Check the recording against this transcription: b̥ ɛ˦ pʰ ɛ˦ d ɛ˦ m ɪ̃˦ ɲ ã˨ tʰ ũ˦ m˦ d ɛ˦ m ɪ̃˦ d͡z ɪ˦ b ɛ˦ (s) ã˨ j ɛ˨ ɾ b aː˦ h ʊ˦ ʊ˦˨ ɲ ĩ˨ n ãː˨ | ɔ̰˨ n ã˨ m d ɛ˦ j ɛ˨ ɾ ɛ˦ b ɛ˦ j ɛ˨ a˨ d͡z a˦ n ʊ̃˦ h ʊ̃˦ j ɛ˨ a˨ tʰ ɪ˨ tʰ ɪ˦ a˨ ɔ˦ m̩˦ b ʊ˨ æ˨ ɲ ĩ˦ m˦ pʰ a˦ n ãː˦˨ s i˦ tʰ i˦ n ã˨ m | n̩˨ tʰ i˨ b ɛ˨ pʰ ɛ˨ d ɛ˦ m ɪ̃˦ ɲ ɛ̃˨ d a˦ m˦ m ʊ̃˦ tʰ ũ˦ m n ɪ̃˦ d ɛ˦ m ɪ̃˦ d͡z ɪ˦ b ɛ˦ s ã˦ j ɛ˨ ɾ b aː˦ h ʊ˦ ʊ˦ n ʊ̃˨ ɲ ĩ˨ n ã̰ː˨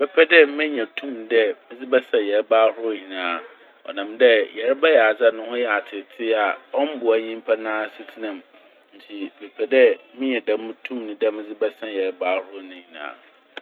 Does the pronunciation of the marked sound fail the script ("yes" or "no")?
no